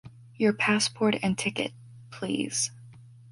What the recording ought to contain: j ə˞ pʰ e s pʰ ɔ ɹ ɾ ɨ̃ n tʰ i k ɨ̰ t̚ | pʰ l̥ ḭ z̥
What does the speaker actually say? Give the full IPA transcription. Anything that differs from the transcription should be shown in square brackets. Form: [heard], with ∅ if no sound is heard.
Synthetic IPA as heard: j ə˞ pʰ [æ] s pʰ ɔ ɹ ɾ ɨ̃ n tʰ [ɪ] k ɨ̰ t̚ | pʰ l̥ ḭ z̥